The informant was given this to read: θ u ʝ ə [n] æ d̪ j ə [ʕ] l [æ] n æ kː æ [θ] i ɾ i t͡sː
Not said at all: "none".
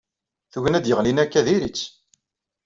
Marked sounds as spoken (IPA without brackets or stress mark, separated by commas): n, ʁ, i, ð